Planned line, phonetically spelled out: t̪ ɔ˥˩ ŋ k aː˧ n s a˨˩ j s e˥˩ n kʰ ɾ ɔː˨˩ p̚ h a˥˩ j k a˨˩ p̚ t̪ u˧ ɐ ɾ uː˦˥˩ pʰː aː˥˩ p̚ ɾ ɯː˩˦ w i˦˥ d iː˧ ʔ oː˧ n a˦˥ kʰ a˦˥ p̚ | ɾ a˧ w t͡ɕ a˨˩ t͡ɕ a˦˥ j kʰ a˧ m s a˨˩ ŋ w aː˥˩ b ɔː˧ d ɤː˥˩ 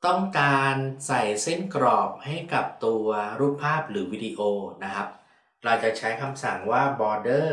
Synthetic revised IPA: t̪ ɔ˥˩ ŋ k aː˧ n s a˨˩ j s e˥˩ n k ɾ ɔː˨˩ p̚ h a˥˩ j k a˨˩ p̚ t̪ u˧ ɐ ɾ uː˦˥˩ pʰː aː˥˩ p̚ ɾ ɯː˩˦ w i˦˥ d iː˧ ʔ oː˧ n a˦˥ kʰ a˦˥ p̚ | ɾ a˧ w t͡ɕ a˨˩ t͡ɕʰ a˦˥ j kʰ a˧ m s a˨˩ ŋ w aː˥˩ b ɔː˧ d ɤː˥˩